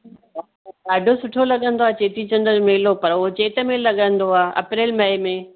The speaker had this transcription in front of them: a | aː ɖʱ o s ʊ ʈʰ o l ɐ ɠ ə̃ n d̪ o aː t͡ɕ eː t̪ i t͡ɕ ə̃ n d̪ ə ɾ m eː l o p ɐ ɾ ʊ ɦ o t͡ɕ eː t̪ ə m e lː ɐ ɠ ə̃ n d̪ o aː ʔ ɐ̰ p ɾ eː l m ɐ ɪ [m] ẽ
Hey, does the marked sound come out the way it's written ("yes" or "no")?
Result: yes